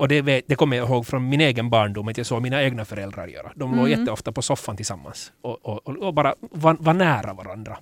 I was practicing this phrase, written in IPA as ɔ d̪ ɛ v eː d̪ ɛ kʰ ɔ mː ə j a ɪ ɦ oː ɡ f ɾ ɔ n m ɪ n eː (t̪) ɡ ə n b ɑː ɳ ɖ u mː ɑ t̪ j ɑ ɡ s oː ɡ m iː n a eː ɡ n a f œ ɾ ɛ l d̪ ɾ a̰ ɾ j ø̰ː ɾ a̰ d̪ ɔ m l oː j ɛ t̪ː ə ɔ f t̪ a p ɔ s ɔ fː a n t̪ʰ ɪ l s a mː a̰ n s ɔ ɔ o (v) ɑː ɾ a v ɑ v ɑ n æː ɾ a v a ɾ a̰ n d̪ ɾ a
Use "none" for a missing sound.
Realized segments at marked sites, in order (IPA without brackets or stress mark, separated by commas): none, b